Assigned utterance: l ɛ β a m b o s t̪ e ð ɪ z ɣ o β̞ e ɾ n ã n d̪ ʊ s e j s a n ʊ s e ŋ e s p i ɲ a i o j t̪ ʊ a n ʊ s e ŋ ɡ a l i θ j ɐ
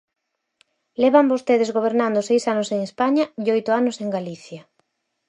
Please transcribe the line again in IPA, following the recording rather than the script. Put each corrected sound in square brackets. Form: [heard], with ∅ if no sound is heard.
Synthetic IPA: l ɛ β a m b o s t̪ e ð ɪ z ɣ o β̞ e ɾ n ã n d̪ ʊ s e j s a n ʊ s e ŋ e s p [a] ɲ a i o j t̪ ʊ a n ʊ s e ŋ ɡ a l i θ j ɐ